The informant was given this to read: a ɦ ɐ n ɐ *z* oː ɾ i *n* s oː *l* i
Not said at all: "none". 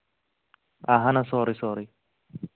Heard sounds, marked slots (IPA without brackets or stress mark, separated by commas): s, none, ɾ